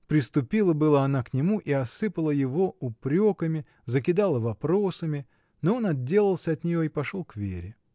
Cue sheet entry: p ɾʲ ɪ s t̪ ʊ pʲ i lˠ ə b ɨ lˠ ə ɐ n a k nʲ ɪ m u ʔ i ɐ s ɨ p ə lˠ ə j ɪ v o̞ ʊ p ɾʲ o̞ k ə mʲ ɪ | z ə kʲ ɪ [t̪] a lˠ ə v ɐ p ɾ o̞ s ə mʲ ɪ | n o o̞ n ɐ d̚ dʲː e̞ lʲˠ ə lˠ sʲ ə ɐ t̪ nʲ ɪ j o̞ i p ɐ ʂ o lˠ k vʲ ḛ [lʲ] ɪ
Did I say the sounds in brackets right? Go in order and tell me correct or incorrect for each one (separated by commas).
incorrect, incorrect